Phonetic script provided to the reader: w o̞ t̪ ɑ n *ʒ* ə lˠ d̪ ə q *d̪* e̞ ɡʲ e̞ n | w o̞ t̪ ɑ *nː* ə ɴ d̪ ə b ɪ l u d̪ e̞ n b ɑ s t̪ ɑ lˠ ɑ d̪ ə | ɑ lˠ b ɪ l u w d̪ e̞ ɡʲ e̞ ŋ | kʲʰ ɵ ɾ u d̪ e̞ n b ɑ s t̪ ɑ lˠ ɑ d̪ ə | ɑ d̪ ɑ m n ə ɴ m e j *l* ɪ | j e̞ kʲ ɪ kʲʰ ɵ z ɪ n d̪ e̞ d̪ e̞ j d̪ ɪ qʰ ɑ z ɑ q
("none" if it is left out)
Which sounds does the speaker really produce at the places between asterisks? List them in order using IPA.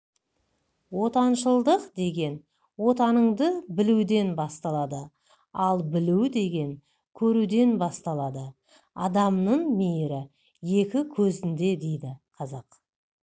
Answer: ʃ, d̪, n, ɾ

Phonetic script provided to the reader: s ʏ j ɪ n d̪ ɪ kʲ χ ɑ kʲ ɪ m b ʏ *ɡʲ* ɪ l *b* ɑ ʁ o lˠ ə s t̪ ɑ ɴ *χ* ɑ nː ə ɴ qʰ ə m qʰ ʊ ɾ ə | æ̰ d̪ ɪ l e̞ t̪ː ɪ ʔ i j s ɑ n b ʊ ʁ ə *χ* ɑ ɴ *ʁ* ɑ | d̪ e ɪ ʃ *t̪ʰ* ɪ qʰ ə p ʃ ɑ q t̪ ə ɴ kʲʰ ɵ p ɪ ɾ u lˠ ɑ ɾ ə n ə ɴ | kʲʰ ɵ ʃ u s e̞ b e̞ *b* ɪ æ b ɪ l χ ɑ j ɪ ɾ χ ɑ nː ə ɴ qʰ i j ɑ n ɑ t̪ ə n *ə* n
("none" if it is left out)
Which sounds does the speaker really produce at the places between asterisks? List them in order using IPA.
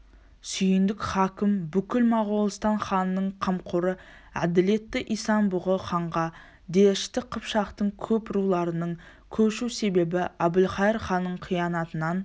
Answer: kʲ, m, χ, χ, ʁ, t̪, b, ɑ

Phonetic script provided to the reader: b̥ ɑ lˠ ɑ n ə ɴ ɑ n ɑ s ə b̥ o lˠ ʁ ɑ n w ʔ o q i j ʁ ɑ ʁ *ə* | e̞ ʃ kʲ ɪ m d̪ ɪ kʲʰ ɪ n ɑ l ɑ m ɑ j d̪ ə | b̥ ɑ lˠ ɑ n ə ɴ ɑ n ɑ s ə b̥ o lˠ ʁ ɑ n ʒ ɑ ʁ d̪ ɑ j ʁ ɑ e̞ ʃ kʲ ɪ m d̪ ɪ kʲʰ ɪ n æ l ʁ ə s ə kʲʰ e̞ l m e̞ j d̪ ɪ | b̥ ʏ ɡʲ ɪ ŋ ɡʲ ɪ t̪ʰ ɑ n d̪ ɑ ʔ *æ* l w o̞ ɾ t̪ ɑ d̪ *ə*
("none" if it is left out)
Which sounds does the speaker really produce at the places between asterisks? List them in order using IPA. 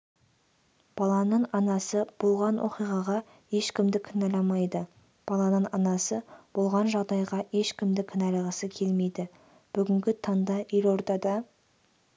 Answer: ɑ, e, ɑ

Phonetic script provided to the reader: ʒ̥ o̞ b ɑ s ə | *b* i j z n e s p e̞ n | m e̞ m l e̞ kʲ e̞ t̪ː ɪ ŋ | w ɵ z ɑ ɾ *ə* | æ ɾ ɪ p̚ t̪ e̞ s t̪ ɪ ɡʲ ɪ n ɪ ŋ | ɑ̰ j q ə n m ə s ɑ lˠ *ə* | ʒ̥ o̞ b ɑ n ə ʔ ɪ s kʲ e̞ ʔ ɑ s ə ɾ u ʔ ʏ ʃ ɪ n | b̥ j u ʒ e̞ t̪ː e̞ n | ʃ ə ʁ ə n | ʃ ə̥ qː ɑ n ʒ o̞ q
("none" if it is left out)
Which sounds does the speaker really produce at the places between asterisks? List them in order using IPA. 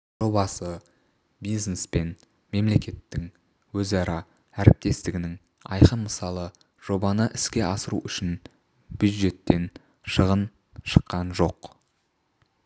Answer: b, ɑ, ə

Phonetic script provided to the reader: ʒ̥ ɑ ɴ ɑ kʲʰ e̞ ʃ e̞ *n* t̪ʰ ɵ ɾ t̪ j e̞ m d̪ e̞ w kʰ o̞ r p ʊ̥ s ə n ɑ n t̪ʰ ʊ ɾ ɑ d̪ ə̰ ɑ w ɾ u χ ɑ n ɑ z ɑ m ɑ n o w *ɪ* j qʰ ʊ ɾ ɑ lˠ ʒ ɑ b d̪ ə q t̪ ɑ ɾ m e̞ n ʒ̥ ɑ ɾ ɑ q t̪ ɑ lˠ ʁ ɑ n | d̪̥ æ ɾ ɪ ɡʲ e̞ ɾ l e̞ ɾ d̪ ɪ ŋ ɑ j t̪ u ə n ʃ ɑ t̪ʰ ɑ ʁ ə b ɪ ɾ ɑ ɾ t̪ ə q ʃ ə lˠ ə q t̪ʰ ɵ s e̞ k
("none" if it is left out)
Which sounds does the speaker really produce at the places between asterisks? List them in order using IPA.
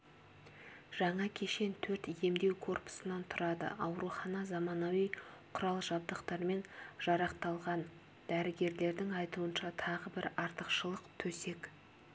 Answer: n, i

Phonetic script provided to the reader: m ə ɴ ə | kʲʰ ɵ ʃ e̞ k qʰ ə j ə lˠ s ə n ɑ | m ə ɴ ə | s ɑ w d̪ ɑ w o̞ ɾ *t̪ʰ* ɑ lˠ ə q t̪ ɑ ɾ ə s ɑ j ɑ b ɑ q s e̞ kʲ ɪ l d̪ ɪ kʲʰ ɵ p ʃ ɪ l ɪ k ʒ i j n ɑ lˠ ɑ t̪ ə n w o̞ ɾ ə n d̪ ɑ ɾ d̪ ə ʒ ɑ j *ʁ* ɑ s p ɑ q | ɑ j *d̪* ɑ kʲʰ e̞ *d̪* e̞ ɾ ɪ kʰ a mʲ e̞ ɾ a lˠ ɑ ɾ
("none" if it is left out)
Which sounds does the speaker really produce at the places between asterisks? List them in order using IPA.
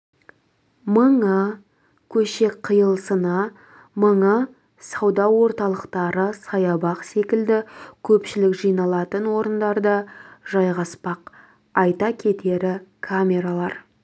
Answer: t̪, ʁ, t̪, t̪

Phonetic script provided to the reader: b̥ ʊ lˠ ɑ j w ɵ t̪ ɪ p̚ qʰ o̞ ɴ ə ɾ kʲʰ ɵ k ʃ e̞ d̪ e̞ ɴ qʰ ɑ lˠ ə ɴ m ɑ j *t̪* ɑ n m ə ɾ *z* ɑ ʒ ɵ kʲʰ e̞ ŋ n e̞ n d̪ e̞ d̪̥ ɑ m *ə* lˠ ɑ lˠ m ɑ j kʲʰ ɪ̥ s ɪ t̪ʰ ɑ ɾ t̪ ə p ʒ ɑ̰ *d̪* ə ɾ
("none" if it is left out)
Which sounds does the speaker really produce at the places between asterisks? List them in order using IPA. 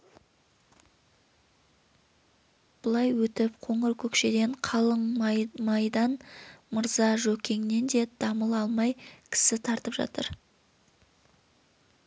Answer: d̪, z, ə, t̪

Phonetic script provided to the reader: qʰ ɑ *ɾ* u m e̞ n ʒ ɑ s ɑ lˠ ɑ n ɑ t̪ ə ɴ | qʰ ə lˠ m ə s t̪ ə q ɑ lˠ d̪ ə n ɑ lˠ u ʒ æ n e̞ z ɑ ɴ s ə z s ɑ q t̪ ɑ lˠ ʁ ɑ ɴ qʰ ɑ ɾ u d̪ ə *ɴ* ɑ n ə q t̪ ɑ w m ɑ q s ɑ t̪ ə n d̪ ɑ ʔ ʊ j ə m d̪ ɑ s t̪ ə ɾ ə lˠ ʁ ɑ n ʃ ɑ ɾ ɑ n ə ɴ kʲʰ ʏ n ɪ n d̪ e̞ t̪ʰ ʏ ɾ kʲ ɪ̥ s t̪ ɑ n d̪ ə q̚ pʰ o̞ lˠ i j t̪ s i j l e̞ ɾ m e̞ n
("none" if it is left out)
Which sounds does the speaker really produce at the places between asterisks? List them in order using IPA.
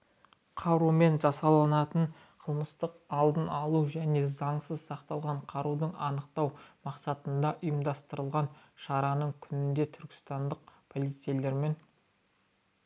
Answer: ɾ, ɴ

